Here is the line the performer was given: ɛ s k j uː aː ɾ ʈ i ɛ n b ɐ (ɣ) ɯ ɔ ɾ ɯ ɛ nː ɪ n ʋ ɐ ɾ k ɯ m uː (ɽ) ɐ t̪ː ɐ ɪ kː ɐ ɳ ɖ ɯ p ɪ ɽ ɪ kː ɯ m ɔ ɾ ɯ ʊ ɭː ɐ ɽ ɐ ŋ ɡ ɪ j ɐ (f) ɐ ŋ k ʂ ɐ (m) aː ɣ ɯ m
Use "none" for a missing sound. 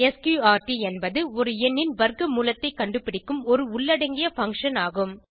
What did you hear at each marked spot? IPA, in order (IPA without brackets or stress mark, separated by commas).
ð, l, f, n